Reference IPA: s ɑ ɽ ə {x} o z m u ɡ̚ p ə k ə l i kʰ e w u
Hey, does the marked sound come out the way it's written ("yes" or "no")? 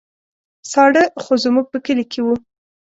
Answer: yes